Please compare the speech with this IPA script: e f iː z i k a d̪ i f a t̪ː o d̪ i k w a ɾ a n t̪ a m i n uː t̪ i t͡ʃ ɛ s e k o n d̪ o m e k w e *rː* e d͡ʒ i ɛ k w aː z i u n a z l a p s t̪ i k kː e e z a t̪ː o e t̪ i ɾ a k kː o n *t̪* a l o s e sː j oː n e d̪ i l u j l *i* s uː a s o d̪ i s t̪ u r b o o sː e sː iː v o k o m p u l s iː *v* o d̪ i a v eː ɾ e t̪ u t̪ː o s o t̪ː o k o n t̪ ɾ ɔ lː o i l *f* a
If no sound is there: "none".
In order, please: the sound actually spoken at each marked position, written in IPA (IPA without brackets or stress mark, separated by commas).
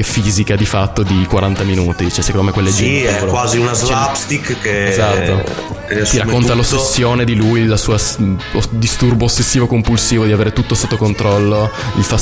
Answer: lː, t̪, a, v, f